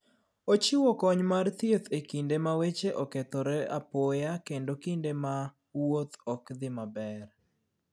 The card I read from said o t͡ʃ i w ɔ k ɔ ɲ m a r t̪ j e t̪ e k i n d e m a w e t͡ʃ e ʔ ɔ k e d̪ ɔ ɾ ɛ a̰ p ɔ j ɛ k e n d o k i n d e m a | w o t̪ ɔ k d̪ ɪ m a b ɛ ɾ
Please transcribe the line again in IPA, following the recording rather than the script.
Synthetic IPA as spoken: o t͡ʃ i w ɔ k ɔ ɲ m a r t̪ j e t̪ e k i n d e m a w e t͡ʃ e ʔ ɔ k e t̪ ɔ ɾ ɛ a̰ p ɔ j a k e n d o k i n d e m a | w o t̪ ɔ k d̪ ɪ m a b ɛ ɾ